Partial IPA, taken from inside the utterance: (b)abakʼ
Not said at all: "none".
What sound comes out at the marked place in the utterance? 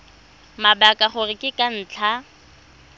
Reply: m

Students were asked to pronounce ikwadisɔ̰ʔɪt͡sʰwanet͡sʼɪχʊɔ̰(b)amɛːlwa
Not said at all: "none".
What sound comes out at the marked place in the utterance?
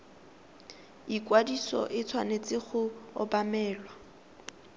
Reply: b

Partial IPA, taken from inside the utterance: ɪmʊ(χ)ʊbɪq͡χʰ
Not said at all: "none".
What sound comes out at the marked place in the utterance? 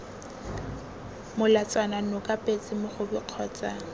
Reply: χ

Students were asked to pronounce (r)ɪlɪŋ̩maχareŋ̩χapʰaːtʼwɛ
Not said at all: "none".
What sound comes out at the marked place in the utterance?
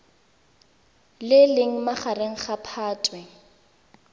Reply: l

